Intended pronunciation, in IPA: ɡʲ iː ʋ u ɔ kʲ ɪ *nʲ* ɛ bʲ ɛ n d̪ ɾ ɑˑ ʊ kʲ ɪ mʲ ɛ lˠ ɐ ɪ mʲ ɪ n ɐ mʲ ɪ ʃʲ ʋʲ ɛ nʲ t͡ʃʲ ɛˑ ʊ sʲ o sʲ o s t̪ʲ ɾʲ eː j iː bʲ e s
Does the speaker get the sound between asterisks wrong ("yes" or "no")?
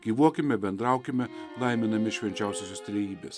yes